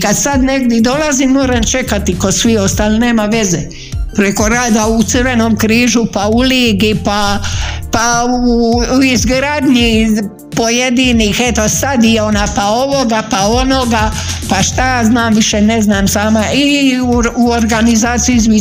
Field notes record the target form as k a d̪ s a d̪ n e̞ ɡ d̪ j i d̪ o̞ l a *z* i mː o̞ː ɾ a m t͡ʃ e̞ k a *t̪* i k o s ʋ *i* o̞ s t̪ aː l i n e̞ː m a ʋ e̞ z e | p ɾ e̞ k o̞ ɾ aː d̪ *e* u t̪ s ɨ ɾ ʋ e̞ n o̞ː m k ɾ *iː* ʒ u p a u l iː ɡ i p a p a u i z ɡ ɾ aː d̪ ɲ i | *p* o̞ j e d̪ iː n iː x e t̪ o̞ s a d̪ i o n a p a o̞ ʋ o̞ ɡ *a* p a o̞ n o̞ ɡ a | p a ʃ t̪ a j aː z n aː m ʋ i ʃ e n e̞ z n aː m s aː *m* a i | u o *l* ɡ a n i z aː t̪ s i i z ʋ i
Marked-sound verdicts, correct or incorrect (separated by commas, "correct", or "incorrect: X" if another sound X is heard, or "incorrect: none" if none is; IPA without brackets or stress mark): correct, correct, correct, incorrect: a, correct, correct, correct, correct, incorrect: ɾ